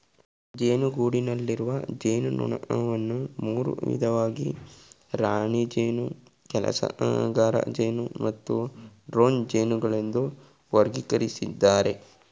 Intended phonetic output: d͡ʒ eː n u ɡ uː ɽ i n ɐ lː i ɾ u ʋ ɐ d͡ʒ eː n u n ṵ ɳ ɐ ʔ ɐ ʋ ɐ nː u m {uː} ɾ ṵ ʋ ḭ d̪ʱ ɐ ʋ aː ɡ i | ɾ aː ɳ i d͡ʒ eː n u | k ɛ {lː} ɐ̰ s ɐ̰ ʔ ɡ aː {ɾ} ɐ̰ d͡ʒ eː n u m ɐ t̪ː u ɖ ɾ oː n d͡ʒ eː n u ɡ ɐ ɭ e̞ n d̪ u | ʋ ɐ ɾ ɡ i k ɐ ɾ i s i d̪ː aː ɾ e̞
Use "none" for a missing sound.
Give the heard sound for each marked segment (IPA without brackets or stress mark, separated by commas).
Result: uː, l, ɾ